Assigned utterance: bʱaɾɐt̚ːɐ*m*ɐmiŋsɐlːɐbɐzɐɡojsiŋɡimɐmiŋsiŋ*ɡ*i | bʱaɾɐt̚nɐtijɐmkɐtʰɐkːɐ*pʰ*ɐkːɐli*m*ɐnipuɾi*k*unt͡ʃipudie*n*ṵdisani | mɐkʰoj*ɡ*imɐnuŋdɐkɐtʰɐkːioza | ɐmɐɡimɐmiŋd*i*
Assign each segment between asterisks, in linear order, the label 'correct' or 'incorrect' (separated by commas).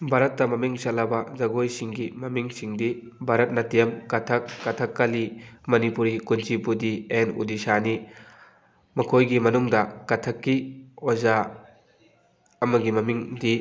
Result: correct, incorrect, incorrect, correct, correct, correct, correct, correct